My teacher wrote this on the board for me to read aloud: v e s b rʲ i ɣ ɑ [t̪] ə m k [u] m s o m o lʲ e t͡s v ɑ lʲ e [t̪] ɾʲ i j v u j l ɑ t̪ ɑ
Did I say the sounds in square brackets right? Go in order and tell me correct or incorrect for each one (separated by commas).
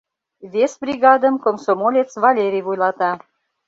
incorrect, incorrect, incorrect